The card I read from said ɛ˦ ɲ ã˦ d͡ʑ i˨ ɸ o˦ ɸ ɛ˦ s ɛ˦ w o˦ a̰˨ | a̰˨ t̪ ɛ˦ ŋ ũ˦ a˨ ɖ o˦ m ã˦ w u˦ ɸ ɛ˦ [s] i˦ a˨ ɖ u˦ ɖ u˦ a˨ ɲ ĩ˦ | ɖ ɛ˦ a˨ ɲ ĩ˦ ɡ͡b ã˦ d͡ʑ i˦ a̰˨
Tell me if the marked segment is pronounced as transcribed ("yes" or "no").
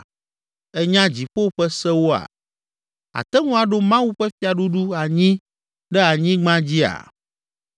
no